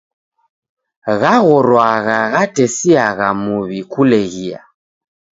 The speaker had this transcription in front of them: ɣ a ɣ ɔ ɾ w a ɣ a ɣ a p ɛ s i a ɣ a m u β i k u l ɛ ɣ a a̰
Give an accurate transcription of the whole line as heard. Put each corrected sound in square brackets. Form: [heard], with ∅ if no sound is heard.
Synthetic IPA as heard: ɣ a ɣ ɔ ɾ w a ɣ a ɣ a [t] ɛ s i a ɣ a m u β i k u l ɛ ɣ [i] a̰